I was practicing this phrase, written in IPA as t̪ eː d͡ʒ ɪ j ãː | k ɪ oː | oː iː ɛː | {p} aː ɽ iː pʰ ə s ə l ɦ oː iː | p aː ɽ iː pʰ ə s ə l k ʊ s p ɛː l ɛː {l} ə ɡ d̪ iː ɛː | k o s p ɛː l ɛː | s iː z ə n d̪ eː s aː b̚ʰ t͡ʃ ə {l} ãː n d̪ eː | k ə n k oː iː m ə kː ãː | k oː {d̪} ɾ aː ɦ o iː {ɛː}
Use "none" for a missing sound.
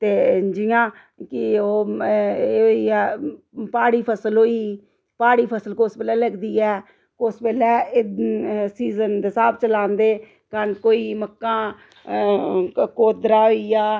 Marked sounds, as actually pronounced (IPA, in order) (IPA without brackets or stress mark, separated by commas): p, l, l, d̪, aː